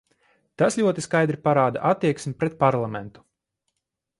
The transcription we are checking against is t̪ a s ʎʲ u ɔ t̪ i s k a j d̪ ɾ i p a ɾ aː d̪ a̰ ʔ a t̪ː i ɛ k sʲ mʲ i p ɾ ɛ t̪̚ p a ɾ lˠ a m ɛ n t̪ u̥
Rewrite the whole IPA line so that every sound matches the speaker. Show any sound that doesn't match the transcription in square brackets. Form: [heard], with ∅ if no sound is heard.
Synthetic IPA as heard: t̪ a s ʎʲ u ɔ t̪ i s k a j d̪ ɾ i p a ɾ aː d̪ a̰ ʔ a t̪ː i ɛ k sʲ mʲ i p ɾ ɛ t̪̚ p a ɾ lˠ a m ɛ n t̪ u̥